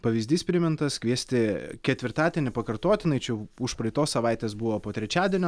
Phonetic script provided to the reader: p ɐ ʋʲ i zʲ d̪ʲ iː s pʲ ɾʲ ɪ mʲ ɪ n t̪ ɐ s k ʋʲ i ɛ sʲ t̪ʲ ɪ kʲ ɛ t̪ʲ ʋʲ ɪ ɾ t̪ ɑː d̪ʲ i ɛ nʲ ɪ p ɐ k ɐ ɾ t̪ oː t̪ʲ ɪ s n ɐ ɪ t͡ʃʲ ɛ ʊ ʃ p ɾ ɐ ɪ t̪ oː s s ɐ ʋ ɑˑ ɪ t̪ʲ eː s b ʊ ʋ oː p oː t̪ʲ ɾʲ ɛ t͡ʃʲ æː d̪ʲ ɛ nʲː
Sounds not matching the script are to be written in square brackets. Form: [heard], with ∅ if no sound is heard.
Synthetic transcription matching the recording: p ɐ ʋʲ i zʲ d̪ʲ iː s pʲ ɾʲ ɪ mʲ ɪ n t̪ ɐ s k ʋʲ i ɛ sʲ t̪ʲ ɪ kʲ ɛ t̪ʲ ʋʲ ɪ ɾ t̪ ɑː d̪ʲ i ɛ nʲ ɪ p ɐ k ɐ ɾ t̪ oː t̪ʲ ɪ [∅] n ɐ ɪ t͡ʃʲ ɛ ʊ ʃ p ɾ ɐ ɪ t̪ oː s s ɐ ʋ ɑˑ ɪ t̪ʲ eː s b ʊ ʋ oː p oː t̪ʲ ɾʲ ɛ t͡ʃʲ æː d̪ʲ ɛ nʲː